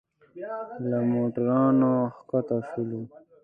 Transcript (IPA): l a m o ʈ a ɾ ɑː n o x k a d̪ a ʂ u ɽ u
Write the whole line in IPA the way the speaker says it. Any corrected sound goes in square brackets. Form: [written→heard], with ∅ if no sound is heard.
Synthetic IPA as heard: l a m o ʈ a ɾ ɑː n o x k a [d̪→t̪] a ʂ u [ɽ→l] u

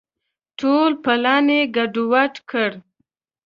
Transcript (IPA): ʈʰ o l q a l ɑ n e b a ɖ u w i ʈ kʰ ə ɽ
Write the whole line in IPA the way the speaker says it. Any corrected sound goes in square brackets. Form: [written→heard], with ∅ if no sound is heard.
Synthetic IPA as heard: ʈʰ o l [q→p] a l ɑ n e [b→ɡ] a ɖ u w [i→a] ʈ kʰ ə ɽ

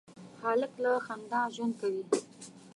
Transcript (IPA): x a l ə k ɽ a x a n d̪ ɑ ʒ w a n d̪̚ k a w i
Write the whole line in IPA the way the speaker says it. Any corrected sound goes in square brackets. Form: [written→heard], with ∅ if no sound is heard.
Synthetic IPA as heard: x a l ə k [ɽ→l] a x a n d̪ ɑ ʒ w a n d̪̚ k a w i

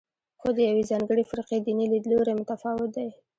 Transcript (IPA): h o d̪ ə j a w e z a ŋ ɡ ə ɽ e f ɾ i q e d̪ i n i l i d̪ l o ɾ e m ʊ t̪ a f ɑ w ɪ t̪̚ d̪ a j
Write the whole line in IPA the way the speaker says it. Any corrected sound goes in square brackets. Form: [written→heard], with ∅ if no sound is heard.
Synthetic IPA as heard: [h→x] o d̪ ə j a w e z [a→ɑ] ŋ ɡ ə ɽ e f ɾ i q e d̪ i n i l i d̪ l o ɾ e m ʊ t̪ a f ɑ w ɪ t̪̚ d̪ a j

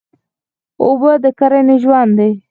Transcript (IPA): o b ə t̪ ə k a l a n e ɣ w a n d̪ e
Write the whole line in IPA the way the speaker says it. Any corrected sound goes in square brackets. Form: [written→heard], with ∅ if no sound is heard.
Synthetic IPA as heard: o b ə [t̪→d̪] ə k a [l→ɾ] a n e [ɣ→ʒ] w a n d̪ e

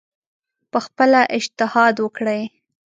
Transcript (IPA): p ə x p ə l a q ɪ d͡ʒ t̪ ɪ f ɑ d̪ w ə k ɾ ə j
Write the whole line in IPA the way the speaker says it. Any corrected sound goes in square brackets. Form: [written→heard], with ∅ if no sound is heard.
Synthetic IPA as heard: p ə x p ə l a [q→ʔ] ɪ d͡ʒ t̪ ɪ [f→h] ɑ d̪ w ə k [ɾ→ɽ] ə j

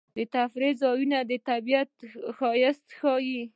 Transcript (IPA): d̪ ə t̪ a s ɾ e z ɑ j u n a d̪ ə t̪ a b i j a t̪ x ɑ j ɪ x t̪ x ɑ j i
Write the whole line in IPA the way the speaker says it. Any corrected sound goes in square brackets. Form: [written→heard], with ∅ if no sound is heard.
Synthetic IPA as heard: d̪ ə t̪ a [s→f] ɾ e z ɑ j u n a d̪ ə t̪ a b i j a t̪ x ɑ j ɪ [x→s] t̪ x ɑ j i

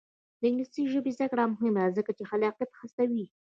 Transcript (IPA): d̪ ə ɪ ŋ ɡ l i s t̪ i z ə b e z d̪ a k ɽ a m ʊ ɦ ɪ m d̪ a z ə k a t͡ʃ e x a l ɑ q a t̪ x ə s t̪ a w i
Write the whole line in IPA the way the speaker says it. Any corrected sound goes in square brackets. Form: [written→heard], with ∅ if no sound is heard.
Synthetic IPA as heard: d̪ ə ɪ ŋ ɡ l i s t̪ i [z→ʒ] ə b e z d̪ a k ɽ a m ʊ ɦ ɪ m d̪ a z ə k a t͡ʃ e x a l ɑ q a t̪ x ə s t̪ a w i

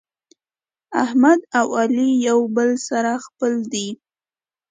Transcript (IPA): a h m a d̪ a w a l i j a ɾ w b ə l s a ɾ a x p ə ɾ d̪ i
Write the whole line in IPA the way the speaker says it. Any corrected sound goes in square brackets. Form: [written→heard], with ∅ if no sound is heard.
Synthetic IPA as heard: a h m a d̪ a w a l i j a [ɾ→∅] w b ə l s a ɾ a x p ə [ɾ→l] d̪ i

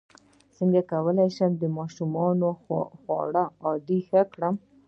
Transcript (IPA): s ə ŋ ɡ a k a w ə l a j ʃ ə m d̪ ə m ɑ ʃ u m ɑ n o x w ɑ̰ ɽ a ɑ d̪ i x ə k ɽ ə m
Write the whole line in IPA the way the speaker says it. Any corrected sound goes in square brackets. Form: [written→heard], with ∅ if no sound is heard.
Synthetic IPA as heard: s ə ŋ ɡ a k a w ə l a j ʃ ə m d̪ ə m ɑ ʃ u m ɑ n o x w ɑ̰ ɽ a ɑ d̪ i x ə k ɽ ə m

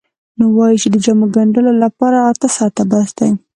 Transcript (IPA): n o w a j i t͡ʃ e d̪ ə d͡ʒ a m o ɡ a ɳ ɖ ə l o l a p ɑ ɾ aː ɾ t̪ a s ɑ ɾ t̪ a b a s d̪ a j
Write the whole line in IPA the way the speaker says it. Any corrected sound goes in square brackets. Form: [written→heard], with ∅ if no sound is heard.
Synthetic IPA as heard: n o w [a→ɑ] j i t͡ʃ e d̪ ə d͡ʒ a m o ɡ a ɳ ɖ ə l o l a p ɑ ɾ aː ɾ t̪ a s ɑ ɾ t̪ a b a s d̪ a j

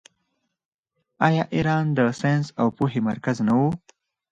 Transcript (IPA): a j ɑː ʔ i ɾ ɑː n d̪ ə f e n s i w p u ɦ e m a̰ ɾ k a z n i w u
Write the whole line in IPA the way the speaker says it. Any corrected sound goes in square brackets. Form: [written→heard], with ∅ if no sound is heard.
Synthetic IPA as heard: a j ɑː ʔ i ɾ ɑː n d̪ ə [f→s] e n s [i→a] w p u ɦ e m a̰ ɾ k a z n [i→a] w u

